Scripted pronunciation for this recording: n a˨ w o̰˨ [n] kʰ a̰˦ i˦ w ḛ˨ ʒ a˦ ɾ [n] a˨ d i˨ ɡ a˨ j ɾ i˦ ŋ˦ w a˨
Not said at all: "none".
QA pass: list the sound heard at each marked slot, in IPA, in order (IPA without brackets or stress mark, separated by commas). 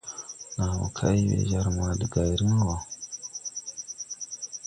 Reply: none, m